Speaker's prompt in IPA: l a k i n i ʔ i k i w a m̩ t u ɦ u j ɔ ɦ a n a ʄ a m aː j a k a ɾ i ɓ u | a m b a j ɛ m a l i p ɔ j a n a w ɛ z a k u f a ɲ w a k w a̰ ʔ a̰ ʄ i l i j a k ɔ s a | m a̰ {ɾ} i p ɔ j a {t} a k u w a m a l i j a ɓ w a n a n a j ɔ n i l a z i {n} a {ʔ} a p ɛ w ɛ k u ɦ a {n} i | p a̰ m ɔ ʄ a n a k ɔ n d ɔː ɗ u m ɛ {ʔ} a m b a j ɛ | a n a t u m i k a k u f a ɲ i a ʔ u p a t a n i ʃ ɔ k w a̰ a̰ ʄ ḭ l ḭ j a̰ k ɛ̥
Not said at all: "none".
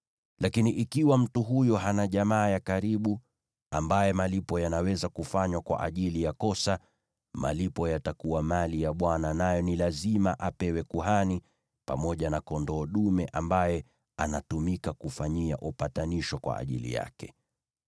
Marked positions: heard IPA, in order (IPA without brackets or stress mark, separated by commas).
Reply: l, t, m, ʔ, n, ʔ